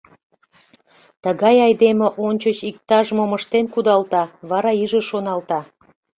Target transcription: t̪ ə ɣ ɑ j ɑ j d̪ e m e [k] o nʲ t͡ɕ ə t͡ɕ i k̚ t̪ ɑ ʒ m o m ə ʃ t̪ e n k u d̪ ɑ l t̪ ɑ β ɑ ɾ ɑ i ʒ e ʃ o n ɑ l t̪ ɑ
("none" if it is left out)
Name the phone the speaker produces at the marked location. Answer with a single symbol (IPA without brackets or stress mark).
ʔ